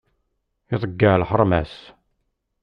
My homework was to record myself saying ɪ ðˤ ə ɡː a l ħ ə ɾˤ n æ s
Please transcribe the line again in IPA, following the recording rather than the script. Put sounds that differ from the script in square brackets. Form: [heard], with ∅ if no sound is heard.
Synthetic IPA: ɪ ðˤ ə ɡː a l ħ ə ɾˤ [m] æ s